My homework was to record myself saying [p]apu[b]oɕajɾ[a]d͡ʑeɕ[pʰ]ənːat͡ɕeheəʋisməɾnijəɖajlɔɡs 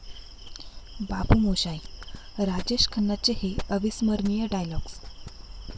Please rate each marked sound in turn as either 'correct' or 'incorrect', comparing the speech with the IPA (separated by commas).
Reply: incorrect, incorrect, correct, incorrect